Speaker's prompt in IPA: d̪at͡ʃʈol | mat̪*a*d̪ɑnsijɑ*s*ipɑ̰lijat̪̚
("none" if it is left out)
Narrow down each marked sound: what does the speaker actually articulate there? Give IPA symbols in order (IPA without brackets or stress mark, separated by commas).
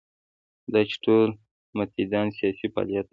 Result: i, s